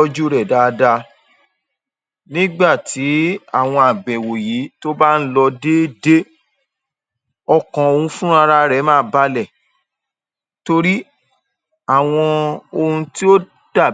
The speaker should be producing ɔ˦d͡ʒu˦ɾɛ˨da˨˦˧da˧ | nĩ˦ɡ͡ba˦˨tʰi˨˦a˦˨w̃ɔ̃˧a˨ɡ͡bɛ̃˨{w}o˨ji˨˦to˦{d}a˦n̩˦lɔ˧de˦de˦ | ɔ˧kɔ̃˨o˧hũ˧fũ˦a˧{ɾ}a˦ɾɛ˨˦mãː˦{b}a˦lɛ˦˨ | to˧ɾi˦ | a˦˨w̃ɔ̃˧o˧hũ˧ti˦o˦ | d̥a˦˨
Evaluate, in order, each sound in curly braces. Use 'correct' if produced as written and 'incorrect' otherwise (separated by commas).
correct, incorrect, correct, correct